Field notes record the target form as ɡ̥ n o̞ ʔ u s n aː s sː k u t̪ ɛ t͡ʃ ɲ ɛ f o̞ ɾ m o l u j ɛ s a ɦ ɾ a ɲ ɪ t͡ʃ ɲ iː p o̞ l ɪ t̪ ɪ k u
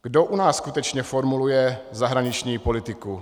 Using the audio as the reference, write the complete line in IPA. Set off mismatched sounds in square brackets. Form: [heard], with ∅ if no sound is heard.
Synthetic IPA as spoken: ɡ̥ [d] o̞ ʔ u [∅] n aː s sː k u t̪ ɛ t͡ʃ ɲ ɛ f o̞ ɾ m [u] l u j ɛ [z] a ɦ ɾ a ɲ ɪ t͡ʃ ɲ iː p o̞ l ɪ t̪ ɪ k u